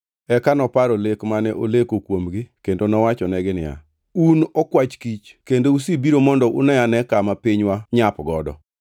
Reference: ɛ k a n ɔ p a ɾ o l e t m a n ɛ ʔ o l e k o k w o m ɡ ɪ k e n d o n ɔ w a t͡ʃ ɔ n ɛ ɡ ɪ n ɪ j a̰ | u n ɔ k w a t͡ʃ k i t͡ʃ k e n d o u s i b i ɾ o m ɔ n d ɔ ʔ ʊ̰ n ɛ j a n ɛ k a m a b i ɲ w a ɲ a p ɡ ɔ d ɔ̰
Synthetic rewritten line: ɛ k a n ɔ p a ɾ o l e k m a n ɛ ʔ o l e k o k w o m ɡ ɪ k e n d o n ɔ w a t͡ʃ ɔ n ɛ ɡ ɪ n ɪ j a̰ | u n ɔ k w a t͡ʃ k i t͡ʃ k e n d o u s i b i ɾ o m ɔ n d ɔ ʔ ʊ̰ n ɛ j a n ɛ k a m a p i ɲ w a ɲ a p ɡ ɔ d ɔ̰